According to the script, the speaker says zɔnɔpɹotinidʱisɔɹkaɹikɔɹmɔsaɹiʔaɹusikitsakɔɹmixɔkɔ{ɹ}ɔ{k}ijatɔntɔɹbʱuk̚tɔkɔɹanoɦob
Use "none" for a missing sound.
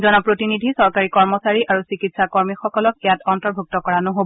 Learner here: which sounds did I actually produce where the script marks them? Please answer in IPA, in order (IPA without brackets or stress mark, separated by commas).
l, k